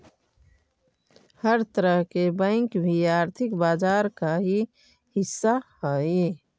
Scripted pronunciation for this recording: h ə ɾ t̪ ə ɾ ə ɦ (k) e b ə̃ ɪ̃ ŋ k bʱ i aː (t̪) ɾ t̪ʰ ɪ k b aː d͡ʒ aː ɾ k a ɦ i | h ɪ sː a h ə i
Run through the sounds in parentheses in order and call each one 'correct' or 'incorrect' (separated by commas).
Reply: correct, incorrect